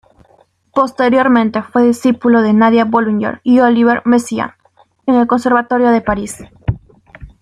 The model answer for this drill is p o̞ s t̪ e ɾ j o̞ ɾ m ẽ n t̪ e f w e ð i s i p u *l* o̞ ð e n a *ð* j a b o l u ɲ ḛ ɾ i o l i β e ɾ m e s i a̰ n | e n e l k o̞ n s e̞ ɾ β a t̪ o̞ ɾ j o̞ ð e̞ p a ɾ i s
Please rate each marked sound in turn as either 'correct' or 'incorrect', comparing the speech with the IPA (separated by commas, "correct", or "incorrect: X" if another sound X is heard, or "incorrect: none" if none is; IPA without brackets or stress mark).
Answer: correct, correct